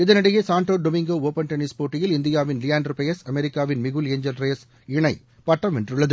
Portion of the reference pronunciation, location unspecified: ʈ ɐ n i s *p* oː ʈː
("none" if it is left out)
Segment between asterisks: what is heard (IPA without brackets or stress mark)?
p